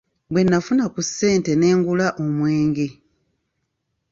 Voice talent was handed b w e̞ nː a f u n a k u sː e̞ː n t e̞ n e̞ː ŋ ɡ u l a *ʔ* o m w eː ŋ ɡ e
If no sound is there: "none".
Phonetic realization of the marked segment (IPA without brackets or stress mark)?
ʔ